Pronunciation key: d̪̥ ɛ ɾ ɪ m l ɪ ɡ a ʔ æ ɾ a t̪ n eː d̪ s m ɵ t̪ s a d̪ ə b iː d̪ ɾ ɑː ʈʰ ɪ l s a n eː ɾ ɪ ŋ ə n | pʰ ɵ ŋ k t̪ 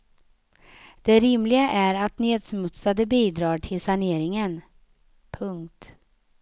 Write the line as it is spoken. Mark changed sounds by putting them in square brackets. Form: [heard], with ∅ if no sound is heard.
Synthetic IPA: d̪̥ ɛ ɾ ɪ m l ɪ ɡ a ʔ æ ɾ a t̪ n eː d̪ s m ɵ t̪ s a d̪ ə b iː d̪ ɾ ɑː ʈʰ ɪ l s a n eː ɾ ɪ ŋ ə n | pʰ ɵ ŋ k t̪